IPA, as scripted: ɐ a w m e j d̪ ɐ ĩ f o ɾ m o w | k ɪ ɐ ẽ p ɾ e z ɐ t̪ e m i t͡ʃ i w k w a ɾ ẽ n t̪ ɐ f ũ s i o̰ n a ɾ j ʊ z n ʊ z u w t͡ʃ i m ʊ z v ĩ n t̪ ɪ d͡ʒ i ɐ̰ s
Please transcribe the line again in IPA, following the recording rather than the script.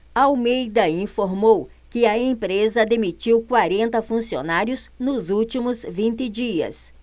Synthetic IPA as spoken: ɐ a w m e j d̪ ɐ ĩ f o ɾ m o w | k ɪ ɐ ẽ p ɾ e z ɐ d̪ e m i t͡ʃ i w k w a ɾ ẽ n t̪ ɐ f ũ s i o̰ n a ɾ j ʊ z n ʊ z u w t͡ʃ i m ʊ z v ĩ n t̪ ɪ d͡ʒ i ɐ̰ s